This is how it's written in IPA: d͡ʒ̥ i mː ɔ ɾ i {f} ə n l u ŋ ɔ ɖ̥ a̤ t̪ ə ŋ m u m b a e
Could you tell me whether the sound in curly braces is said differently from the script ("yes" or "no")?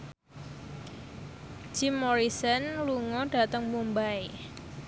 yes